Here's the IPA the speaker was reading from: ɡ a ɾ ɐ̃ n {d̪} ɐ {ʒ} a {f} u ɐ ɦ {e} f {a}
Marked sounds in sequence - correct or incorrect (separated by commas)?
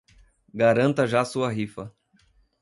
incorrect, correct, incorrect, incorrect, incorrect